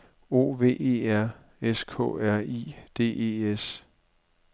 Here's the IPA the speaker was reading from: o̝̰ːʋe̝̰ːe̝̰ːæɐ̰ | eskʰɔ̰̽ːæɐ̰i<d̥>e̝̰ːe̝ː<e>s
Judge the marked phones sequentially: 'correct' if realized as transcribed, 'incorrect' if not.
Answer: correct, correct

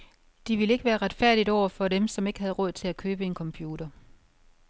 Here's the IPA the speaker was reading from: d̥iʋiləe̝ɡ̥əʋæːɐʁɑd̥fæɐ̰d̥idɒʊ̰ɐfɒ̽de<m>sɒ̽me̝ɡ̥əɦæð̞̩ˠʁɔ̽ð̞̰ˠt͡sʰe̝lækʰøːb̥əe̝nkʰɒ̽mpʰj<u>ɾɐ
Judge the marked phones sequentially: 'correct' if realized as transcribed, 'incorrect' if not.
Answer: correct, incorrect: uː

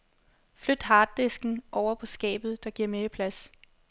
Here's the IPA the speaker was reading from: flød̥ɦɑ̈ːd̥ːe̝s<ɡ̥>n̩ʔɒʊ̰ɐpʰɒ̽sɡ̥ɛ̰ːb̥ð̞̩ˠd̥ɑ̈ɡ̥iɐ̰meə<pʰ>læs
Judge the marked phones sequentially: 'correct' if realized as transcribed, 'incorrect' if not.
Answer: correct, correct

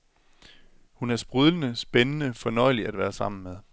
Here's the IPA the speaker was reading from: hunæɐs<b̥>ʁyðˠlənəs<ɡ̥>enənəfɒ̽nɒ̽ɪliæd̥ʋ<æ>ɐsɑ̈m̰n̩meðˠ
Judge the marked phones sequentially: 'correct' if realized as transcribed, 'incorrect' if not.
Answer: correct, incorrect: b̥, incorrect: æː

